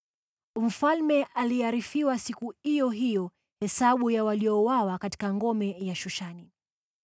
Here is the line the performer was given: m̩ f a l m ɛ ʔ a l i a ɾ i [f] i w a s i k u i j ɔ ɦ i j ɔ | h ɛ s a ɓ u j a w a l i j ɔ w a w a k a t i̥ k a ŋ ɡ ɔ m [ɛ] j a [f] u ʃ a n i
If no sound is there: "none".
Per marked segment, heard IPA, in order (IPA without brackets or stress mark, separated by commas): f, ɛ, ʃ